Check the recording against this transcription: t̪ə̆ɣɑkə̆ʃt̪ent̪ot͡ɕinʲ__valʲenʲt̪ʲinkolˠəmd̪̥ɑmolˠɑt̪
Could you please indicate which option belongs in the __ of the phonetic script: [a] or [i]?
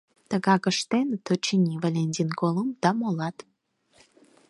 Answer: i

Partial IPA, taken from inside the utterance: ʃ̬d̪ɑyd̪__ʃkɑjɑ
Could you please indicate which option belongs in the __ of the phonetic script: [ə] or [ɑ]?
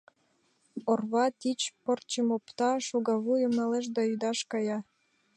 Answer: ɑ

